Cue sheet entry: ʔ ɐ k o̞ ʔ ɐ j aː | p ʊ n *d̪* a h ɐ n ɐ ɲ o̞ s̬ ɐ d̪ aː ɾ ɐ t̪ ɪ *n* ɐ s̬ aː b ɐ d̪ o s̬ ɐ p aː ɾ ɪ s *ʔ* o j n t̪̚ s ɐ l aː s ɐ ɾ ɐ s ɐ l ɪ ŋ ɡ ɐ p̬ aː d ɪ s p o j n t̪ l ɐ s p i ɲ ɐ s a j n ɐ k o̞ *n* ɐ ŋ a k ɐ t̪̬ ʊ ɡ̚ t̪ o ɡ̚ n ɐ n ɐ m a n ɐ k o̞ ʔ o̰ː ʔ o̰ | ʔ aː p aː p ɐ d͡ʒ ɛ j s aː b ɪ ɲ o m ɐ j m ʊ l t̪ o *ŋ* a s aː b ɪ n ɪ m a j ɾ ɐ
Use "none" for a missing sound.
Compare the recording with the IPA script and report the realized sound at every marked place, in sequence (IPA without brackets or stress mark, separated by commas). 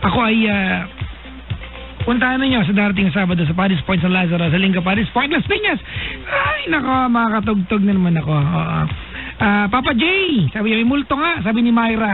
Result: t̪, ŋ, p, m, ŋ